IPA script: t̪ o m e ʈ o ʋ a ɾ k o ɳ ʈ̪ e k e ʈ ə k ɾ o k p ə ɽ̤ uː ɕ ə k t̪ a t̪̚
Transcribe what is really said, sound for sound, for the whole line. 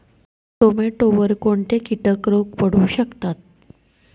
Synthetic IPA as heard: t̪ o m e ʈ o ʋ ə ɾ k o ɳ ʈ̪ e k i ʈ ə k ɾ o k p ə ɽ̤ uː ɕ ə k t̪ a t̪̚

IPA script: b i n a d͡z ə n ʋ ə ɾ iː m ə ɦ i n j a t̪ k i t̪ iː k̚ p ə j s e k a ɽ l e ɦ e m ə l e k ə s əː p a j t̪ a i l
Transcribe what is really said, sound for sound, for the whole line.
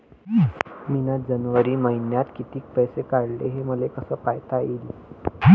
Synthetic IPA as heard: m i n a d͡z ə n ʋ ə ɾ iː m ə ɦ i n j a t̪ k i t̪ iː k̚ p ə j s e k a ɽ l e ɦ e m ə l e k ə s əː p a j t̪ a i l

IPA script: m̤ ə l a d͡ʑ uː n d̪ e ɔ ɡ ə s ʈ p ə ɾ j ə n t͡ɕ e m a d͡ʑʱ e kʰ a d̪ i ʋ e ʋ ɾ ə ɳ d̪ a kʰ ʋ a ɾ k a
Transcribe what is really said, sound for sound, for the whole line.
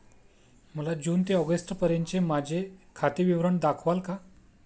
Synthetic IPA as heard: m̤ ə l a d͡ʑ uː n t̪ e ɔ ɡ ə s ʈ p ə ɾ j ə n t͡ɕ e m a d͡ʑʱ e kʰ a t̪ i ʋ i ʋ ɾ ə ɳ d̪ a kʰ ʋ a l k a

